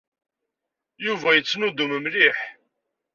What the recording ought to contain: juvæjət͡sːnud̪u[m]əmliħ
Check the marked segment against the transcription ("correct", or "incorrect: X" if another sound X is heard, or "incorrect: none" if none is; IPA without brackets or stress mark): correct